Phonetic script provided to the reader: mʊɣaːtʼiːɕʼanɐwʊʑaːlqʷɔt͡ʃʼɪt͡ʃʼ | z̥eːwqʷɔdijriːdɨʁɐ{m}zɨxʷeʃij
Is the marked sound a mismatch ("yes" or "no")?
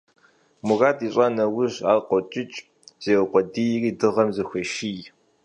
no